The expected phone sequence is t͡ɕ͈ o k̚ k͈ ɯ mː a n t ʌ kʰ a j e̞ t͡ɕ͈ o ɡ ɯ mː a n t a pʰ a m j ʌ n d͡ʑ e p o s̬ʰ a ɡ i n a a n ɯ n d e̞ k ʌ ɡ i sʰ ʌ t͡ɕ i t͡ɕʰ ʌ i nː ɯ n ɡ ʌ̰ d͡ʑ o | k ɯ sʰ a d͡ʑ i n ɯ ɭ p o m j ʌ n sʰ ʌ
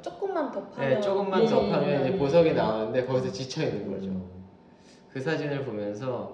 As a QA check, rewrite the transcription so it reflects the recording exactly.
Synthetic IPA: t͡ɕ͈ o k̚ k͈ ɯ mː a n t ʌ pʰ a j e̞ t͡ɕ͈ o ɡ ɯ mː a n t ʌ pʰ a m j ʌ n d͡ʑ e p o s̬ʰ ʌ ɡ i n a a n ɯ n d e̞ k ʌ ɡ i sʰ ʌ t͡ɕ i t͡ɕʰ ʌ i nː ɯ n ɡ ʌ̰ d͡ʑ o | k ɯ sʰ a d͡ʑ i n ɯ ɭ p o m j ʌ n sʰ ʌ